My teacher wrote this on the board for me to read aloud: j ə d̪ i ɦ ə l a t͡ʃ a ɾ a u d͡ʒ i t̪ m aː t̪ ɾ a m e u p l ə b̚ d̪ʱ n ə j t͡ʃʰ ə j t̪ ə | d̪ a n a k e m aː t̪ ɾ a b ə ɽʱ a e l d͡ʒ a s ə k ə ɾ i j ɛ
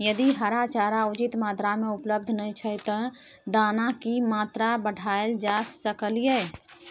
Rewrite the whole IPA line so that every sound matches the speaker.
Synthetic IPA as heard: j ə d̪ i ɦ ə ɾ a t͡ʃ a ɾ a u d͡ʒ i t̪ m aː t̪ ɾ a m e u p l ə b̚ d̪ʱ n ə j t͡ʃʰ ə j t̪ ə | d̪ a n a k i m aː t̪ ɾ a b ə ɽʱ a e l d͡ʒ a s ə k ə l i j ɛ